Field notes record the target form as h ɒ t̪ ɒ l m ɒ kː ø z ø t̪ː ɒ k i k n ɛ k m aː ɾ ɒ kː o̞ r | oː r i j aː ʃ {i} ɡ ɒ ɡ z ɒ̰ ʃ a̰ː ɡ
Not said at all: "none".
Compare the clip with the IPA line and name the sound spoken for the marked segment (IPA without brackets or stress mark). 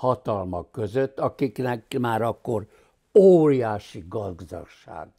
i